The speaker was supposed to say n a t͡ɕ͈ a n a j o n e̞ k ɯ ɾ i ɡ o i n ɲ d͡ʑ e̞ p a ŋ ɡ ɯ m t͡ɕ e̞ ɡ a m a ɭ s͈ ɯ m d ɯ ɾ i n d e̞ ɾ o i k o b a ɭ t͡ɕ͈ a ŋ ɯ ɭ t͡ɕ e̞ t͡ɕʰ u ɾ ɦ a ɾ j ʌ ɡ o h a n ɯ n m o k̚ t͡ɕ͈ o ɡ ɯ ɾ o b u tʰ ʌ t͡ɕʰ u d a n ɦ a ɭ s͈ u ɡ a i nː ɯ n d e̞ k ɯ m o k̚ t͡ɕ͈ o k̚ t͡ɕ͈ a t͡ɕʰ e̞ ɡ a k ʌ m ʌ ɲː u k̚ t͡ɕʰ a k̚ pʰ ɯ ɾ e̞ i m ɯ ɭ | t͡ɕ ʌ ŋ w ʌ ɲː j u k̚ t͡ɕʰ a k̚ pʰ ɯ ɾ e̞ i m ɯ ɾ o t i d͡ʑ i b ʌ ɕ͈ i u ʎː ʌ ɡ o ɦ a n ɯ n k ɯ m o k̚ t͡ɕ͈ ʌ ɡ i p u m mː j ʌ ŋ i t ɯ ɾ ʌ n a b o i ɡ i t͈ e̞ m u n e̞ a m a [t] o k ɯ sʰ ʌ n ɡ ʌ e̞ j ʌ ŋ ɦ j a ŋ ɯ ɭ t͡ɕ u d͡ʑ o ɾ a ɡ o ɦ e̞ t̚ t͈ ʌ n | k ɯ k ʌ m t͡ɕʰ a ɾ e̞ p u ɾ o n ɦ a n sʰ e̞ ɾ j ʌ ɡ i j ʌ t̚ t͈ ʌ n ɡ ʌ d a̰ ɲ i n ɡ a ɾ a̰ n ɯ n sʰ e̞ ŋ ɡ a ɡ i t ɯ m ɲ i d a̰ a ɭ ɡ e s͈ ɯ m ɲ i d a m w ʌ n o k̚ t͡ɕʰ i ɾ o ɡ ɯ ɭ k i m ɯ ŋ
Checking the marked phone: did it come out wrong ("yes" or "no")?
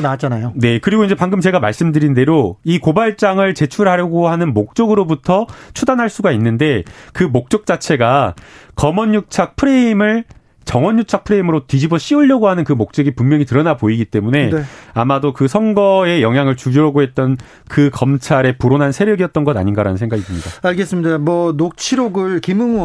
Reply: yes